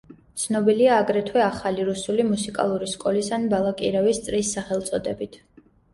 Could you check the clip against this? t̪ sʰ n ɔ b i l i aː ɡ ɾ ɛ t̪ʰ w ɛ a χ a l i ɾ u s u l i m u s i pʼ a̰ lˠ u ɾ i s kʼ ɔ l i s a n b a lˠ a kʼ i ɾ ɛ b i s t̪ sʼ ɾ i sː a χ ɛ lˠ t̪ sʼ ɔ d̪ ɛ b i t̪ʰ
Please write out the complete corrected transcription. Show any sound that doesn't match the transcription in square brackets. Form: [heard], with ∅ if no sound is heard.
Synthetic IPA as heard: t̪ sʰ n ɔ b i l i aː ɡ ɾ ɛ t̪ʰ w ɛ a χ a l i ɾ u s u l i m u s i [kʼ] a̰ lˠ u ɾ i s kʼ ɔ l i s a n b a lˠ a kʼ i ɾ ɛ [v] i s t̪ sʼ ɾ i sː a χ ɛ lˠ t̪ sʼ ɔ d̪ ɛ b i t̪ʰ

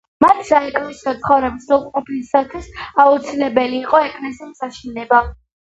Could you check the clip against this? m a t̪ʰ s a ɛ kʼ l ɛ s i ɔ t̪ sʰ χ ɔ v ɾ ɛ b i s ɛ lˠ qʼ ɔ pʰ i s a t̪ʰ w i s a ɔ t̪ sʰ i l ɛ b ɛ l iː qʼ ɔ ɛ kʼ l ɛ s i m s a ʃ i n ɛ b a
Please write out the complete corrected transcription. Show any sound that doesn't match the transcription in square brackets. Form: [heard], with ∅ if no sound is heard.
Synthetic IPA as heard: m a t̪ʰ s a ɛ kʼ l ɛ s i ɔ t̪ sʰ χ ɔ v ɾ ɛ b i s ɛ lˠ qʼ ɔ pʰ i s a t̪ʰ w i s a [u] t̪ sʰ i l ɛ b ɛ l iː qʼ ɔ ɛ kʼ l ɛ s i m s a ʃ i n ɛ b a

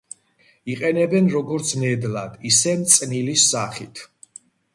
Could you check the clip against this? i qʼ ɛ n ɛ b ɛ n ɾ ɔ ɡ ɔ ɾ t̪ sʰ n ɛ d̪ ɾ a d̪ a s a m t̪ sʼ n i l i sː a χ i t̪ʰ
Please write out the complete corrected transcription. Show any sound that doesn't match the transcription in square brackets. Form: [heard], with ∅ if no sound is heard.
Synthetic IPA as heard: i qʼ ɛ n ɛ b ɛ n ɾ ɔ ɡ ɔ ɾ t̪ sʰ n ɛ d̪ [l] a d̪ [i] s [ɛ] m t̪ sʼ n i l i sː a χ i t̪ʰ

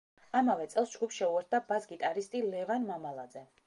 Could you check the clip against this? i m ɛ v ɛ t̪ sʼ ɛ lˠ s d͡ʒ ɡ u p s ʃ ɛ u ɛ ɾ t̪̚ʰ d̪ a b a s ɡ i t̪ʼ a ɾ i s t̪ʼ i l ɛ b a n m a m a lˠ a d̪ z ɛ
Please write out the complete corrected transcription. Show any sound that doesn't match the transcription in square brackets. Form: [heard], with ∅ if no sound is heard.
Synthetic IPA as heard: [a] m [a] v ɛ t̪ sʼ ɛ lˠ s d͡ʒ ɡ u p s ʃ ɛ u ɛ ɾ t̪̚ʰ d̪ a b a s ɡ i t̪ʼ a ɾ i s t̪ʼ i l ɛ [v] a n m a m a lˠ a d̪ z ɛ

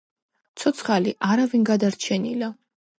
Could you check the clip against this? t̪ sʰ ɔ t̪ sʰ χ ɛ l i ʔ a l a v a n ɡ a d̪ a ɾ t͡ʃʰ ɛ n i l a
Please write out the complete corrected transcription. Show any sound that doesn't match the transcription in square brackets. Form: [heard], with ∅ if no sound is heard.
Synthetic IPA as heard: t̪ sʰ ɔ t̪ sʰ χ [a] l i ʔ a [ɾ] a v [i] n ɡ a d̪ a ɾ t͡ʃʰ ɛ n i l a

